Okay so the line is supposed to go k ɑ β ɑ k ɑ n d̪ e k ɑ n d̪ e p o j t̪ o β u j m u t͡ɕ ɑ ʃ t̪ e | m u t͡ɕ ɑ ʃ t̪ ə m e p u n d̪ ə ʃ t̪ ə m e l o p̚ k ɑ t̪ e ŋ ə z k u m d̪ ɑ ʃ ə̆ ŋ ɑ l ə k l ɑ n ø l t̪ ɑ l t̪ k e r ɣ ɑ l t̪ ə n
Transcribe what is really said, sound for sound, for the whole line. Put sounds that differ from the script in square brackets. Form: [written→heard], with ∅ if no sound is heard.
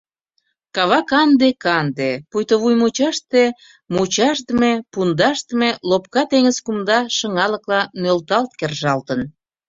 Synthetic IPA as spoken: k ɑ β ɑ k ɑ n d̪ e k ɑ n d̪ e p [o→u] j t̪ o β u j m u t͡ɕ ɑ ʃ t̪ e | m u t͡ɕ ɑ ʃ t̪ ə m e p u n d̪ [ə→ɑ] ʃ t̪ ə m e l o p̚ k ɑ t̪ e ŋ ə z k u m d̪ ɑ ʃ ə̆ ŋ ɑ l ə k l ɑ n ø l t̪ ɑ l t̪ k e r [ɣ→ʒ] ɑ l t̪ ə n